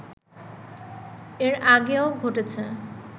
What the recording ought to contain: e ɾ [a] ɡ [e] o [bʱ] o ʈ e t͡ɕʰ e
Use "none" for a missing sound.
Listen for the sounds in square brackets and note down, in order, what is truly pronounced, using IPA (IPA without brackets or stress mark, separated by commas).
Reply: a, e, ɡʱ